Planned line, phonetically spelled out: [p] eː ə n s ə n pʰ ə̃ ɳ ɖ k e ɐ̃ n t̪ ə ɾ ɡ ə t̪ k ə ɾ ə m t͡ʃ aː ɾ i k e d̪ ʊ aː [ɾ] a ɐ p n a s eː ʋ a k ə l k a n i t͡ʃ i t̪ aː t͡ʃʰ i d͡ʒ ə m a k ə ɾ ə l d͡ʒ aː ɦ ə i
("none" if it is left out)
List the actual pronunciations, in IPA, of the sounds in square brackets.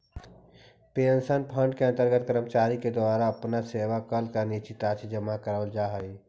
p, ɾ

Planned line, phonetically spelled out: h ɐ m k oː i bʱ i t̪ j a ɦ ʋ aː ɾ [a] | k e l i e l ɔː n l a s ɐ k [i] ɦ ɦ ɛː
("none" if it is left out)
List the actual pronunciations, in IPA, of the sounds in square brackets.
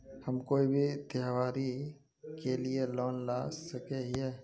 i, e

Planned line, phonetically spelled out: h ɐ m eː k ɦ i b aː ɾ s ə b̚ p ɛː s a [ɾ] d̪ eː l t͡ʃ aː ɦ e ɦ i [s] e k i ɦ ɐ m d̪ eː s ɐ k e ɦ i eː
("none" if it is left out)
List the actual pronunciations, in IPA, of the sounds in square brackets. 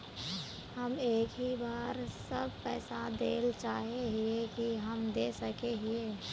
none, none

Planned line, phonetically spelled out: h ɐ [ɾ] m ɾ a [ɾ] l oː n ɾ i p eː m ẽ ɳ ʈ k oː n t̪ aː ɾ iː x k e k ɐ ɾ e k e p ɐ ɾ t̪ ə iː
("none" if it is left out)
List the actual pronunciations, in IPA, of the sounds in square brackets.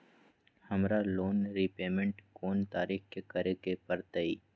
none, none

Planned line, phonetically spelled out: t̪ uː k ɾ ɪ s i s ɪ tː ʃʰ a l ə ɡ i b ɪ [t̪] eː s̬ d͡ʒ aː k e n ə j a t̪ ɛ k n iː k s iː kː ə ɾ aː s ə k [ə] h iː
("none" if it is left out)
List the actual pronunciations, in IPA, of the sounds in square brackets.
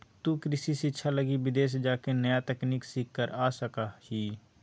d̪, a

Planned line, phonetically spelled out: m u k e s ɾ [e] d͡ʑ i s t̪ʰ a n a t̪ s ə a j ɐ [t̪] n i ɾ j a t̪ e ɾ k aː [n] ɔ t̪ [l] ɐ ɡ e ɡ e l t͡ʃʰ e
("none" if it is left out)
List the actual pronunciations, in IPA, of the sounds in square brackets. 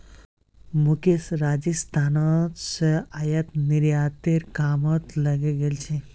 a, t̪, m, l

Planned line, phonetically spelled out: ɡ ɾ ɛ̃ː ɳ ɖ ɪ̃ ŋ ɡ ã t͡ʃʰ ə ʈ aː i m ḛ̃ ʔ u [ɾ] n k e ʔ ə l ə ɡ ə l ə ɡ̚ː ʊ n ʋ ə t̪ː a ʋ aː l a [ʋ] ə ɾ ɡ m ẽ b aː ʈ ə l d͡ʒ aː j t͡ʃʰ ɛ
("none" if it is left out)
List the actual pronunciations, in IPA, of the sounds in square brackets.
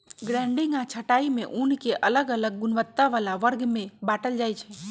none, ʋ

